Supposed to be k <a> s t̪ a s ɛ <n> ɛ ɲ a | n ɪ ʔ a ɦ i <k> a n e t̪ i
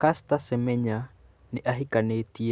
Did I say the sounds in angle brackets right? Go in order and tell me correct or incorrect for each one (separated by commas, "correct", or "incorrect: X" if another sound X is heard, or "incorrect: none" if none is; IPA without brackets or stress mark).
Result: correct, incorrect: m, correct